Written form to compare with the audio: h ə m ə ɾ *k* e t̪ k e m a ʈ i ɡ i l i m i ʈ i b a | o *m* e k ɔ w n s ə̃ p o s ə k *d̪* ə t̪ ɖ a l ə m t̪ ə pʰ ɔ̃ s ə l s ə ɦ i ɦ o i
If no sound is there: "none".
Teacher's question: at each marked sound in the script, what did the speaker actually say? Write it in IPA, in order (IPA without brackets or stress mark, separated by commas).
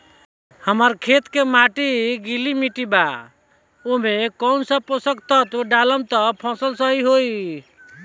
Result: kʰ, m, t̪